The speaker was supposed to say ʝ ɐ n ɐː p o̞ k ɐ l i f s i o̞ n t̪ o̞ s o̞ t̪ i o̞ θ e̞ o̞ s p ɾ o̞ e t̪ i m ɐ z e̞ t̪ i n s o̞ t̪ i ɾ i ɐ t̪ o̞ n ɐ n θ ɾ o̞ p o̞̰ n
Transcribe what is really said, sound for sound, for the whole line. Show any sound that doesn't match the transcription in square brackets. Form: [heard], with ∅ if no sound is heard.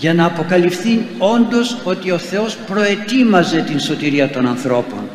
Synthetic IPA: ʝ ɐ n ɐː p o̞ k ɐ l i f [θ] i o̞ n [d̪] o̞ s o̞ t̪ i o̞ θ e̞ o̞ s p ɾ o̞ e t̪ i m ɐ z e̞ t̪ i n s o̞ t̪ i ɾ i ɐ t̪ o̞ n ɐ n θ ɾ o̞ p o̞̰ n